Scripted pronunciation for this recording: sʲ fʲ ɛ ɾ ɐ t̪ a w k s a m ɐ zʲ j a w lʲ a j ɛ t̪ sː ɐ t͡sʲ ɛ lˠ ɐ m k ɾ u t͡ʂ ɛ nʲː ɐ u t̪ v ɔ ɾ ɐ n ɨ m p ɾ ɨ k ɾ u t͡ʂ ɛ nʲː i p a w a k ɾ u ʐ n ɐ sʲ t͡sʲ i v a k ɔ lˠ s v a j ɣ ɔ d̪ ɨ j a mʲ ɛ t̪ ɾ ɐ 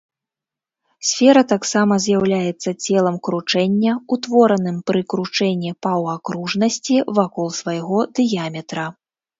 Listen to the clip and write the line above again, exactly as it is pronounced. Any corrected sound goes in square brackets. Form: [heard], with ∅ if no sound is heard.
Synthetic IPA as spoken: sʲ fʲ ɛ ɾ ɐ t̪ a [∅] k s a m ɐ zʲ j a w lʲ a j ɛ t̪ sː ɐ t͡sʲ ɛ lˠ ɐ m k ɾ u t͡ʂ ɛ nʲː ɐ u t̪ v ɔ ɾ ɐ n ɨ m p ɾ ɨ k ɾ u t͡ʂ ɛ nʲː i p a w a k ɾ u ʐ n ɐ sʲ t͡sʲ i v a k ɔ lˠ s v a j ɣ ɔ d̪ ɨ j a mʲ ɛ t̪ ɾ ɐ